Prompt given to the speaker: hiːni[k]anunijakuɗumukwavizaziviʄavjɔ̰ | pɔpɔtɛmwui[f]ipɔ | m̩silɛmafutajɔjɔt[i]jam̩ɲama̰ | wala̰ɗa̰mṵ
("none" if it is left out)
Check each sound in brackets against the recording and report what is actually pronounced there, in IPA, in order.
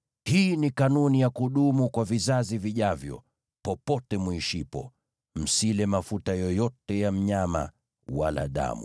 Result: k, ʃ, ɛ

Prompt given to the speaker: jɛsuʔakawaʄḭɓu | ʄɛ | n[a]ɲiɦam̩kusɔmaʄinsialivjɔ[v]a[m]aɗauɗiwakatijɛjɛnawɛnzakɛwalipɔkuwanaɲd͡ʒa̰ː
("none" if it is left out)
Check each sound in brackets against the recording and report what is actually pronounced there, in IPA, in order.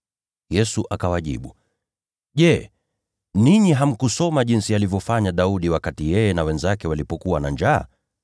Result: i, f, ɲ

